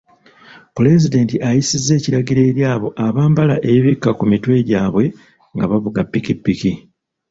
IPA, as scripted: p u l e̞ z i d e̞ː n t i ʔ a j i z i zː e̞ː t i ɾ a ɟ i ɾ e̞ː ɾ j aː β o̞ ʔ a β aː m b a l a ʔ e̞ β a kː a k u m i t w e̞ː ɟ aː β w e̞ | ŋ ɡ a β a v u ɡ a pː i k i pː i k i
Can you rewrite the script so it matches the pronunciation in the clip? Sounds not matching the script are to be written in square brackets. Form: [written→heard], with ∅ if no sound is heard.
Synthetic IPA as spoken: p u l e̞ z i d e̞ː n t i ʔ a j i [z→s] i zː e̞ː [t→c] i ɾ a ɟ i ɾ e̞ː ɾ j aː β o̞ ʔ a β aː m b a l a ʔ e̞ β [a→i] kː a k u m i t w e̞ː ɟ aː β w e̞ | ŋ ɡ a β a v u ɡ a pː i k i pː i k i